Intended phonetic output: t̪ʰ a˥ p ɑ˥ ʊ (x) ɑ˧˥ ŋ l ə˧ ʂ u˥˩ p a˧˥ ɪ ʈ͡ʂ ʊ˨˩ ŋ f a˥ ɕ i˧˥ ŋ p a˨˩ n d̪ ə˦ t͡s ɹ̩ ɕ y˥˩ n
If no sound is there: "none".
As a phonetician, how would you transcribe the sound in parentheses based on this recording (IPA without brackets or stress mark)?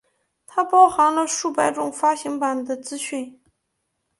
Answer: x